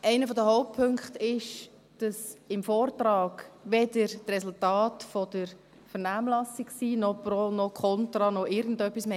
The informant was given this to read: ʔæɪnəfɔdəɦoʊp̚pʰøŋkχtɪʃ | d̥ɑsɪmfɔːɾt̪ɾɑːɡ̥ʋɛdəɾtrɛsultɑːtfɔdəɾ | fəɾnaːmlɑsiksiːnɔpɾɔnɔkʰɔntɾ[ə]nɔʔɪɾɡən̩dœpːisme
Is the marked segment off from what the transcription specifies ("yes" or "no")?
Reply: yes